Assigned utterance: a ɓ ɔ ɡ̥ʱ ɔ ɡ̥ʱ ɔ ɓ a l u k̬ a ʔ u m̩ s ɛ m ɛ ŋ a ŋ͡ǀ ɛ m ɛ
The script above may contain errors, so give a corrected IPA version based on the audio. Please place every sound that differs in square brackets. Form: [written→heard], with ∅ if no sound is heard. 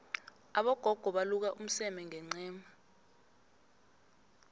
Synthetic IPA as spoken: a ɓ ɔ ɡ̥ʱ ɔ ɡ̥ʱ ɔ ɓ a l u k̬ a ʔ u m̩ s ɛ m ɛ ŋ [a→ɛ] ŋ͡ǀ [ɛ→ɛː] m [ɛ→a]

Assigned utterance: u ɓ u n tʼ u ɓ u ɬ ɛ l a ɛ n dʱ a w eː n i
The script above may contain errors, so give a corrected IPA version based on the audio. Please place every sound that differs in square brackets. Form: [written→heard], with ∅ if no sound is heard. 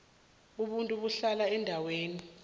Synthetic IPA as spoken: u ɓ u n tʼ u ɓ u ɬ [ɛ→a] l a ɛ n dʱ a w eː n i

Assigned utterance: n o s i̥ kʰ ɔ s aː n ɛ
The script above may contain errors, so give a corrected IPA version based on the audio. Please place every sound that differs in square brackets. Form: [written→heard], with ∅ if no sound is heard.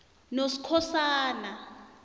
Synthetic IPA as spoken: n o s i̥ kʰ ɔ s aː n [ɛ→a]

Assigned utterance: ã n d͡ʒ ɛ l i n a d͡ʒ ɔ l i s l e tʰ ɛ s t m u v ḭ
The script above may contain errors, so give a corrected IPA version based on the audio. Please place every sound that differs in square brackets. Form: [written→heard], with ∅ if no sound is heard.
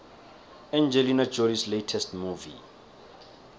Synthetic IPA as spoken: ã n d͡ʒ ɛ l i n a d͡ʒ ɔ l i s l e tʰ ɛ s t m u v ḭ

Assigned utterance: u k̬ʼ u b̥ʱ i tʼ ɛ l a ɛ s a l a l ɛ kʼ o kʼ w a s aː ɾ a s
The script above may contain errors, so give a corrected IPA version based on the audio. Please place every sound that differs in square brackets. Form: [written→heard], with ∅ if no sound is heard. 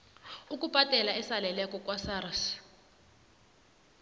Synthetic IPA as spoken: u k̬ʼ u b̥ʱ [i→a] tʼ ɛ l a ɛ s a l [a→ɛ] l ɛ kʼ [o→ɔ] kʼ w a s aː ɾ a s

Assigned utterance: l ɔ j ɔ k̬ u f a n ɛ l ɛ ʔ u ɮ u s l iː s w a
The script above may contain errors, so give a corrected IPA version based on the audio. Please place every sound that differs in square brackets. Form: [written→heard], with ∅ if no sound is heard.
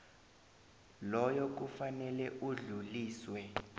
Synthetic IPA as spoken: l ɔ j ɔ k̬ u f a n ɛ l ɛ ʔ u ɮ u [s→∅] l iː s w [a→ɛ]

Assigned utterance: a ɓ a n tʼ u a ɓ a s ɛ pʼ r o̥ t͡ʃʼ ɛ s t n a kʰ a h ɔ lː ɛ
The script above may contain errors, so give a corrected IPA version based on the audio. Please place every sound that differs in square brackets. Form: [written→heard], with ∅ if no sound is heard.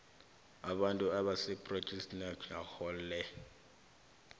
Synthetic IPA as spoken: a ɓ a n tʼ u a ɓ a s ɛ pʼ r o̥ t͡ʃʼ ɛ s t n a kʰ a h ɔ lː ɛ

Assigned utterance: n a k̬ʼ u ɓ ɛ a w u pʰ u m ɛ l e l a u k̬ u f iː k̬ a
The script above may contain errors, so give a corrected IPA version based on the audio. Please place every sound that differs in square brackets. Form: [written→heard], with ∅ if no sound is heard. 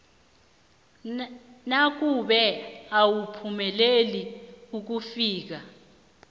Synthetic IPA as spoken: n a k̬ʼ u ɓ ɛ a w u pʰ u m ɛ l e l [a→i] u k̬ u f iː k̬ a

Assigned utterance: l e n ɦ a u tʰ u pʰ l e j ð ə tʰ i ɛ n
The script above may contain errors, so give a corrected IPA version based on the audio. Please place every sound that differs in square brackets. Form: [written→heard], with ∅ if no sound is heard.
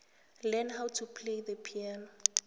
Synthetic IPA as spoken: l [e→ɛ] n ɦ a [u→w] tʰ u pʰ l e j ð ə [tʰ→pʰ] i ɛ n

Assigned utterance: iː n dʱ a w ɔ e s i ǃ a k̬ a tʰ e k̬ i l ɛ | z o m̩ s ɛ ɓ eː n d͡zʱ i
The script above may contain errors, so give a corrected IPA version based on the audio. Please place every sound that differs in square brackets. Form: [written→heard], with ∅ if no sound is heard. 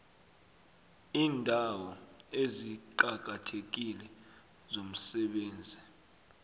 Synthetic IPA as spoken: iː n dʱ a w ɔ e [s→z] i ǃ a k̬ a tʰ e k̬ i l ɛ | z o m̩ s ɛ ɓ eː n d͡zʱ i

